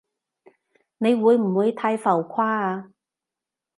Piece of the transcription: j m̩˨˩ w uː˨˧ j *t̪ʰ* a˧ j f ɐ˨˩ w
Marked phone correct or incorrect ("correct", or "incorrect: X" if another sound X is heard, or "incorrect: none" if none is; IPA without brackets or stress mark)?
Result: correct